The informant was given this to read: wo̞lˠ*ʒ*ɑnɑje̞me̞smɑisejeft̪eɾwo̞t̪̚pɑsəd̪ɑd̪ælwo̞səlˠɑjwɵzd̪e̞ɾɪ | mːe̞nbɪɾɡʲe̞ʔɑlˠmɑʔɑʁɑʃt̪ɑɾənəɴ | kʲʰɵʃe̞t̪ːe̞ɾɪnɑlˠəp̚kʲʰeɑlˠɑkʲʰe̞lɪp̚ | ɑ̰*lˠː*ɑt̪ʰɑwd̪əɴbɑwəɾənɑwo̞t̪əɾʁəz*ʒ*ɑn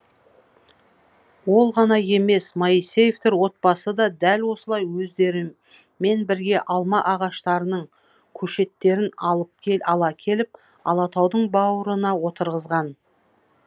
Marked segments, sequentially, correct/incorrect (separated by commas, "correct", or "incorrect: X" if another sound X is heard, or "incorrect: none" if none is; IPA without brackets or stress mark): incorrect: ʁ, incorrect: lˠ, incorrect: ʁ